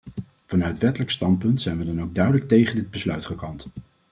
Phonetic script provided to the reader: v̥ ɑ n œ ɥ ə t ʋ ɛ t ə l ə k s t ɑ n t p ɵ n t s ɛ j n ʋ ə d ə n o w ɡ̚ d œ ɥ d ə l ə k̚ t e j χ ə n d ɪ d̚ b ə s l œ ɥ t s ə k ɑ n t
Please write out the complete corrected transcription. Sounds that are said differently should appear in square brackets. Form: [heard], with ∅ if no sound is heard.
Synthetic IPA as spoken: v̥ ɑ n œ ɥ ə t ʋ ɛ t ə l ə k s t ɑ n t p ɵ n t s ɛ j n ʋ ə d [ɑ] n o w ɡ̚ d œ ɥ d ə l ə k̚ t e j χ ə n d ɪ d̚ b ə s l œ ɥ t [χ] ə k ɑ n t